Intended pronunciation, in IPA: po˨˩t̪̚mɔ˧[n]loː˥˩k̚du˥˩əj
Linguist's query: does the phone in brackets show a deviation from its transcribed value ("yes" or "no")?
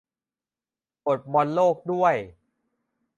no